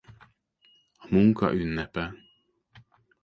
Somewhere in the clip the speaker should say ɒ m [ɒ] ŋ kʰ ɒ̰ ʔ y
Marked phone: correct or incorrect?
incorrect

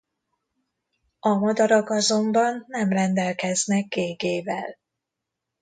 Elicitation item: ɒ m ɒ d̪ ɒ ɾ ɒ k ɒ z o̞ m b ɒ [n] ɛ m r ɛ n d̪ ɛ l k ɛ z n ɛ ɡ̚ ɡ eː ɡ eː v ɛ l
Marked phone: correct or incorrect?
incorrect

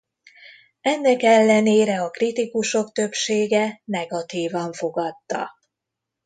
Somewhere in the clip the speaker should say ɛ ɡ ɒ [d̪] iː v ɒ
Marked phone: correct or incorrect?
incorrect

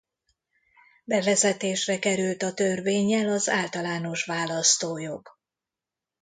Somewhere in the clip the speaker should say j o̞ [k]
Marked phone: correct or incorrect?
incorrect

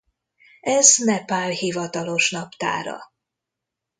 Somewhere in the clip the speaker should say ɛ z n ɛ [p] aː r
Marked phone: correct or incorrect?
correct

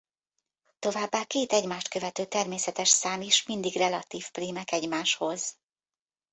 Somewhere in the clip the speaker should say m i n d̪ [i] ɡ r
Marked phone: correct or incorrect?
correct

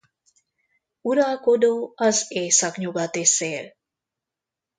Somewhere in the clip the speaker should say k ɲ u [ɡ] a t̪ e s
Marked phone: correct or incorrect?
correct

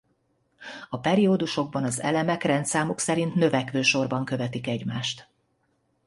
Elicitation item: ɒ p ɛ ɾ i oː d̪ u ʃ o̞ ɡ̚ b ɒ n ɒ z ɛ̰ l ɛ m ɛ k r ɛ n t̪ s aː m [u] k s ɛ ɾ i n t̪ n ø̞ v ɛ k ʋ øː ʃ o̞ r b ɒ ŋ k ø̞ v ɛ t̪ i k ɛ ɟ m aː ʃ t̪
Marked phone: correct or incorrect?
correct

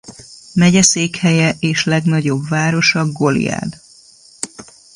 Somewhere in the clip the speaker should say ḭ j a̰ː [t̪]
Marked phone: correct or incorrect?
incorrect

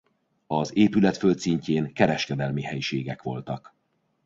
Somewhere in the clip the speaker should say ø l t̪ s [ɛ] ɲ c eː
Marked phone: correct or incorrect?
incorrect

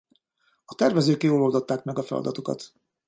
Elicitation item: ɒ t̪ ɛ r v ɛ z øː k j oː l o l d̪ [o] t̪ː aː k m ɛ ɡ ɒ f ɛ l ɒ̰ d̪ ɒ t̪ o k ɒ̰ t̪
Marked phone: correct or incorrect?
correct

